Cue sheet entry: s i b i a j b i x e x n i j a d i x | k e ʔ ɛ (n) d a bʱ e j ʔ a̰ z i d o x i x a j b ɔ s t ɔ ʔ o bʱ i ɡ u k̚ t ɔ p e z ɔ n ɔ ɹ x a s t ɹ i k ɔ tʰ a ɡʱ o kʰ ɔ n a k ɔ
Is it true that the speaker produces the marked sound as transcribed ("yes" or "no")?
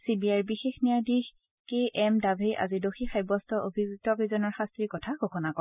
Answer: no